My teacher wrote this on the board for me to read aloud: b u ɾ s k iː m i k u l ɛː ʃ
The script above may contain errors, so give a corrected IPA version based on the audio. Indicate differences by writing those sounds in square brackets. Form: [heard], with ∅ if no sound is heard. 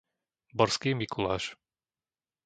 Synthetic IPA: b [ɔ] ɾ s k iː m i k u l [aː] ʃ

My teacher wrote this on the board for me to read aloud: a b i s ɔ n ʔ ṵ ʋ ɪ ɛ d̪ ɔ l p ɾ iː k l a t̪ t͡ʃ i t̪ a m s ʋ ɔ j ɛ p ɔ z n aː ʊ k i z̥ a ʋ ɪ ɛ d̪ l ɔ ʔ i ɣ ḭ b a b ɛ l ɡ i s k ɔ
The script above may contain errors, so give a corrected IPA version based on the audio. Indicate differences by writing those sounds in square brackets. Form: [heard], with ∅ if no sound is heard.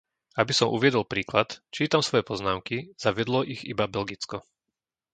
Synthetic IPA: a b i s ɔ [m] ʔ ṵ ʋ ɪ ɛ d̪ ɔ l p ɾ iː k l a t̪ t͡ʃ [iː] t̪ a m s ʋ ɔ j ɛ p ɔ z n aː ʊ k i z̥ a ʋ ɪ ɛ d̪ l ɔ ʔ i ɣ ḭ b a b ɛ l ɡ i [t͡s] k ɔ

